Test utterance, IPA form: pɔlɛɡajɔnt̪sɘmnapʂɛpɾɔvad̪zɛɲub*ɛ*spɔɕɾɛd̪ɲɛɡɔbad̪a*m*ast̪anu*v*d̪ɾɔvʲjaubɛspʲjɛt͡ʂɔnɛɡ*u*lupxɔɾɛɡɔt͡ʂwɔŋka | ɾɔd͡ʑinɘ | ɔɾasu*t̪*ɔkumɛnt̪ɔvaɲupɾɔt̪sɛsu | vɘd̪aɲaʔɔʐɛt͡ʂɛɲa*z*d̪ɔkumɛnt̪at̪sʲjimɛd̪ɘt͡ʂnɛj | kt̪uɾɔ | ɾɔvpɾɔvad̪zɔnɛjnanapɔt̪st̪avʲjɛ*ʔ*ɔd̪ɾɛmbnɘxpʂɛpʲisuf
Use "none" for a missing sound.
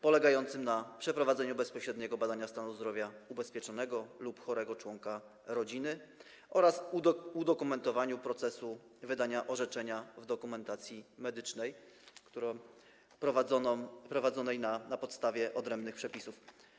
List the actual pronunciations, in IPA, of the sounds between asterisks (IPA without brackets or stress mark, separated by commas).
ɛ, ɲ, z, ɔ, d̪, v, ʔ